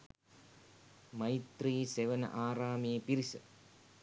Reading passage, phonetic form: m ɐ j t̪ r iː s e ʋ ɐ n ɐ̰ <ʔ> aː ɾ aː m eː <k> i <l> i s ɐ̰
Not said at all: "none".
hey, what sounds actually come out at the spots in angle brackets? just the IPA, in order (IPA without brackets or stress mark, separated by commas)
ʔ, p, ɾ